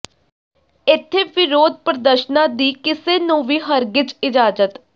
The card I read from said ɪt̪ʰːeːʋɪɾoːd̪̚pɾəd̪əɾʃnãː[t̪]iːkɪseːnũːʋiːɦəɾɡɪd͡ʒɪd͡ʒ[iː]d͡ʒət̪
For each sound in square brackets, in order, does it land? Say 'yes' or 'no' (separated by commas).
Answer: no, no